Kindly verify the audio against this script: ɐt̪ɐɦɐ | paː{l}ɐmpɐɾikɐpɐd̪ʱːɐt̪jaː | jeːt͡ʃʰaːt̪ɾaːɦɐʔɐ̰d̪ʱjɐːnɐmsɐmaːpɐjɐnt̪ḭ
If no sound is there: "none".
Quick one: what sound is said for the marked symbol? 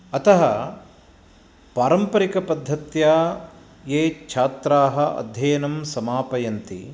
ɾ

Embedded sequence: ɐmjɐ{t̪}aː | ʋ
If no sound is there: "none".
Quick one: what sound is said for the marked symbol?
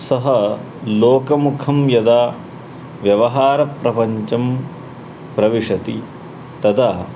d̪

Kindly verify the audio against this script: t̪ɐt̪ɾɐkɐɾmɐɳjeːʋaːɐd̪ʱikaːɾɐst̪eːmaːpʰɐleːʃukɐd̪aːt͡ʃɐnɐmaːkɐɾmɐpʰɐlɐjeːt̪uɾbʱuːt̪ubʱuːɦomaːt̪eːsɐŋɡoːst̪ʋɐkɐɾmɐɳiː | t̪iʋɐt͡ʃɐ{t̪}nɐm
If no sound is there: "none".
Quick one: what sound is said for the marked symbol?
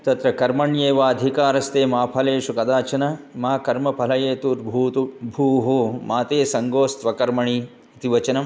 none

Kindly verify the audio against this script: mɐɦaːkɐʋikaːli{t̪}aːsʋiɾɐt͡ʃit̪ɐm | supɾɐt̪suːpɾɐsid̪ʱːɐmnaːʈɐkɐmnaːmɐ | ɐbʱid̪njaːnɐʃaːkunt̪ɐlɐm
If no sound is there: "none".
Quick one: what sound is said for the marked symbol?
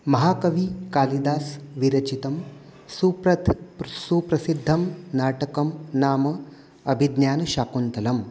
d̪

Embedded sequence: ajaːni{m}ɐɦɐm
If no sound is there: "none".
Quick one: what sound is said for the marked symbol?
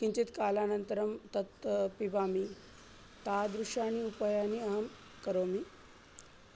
none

